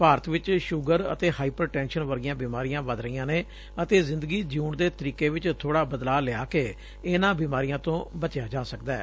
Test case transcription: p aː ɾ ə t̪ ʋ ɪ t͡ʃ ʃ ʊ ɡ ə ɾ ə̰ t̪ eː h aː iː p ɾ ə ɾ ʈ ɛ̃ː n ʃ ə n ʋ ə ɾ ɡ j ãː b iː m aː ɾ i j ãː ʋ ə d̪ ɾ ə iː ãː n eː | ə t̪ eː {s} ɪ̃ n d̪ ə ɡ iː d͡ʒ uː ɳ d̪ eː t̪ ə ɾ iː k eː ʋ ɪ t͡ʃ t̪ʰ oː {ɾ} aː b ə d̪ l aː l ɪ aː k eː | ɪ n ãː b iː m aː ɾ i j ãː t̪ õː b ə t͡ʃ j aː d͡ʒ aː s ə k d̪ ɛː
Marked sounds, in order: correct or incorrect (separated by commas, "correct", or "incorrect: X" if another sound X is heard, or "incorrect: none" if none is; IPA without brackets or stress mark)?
incorrect: z, incorrect: ɽ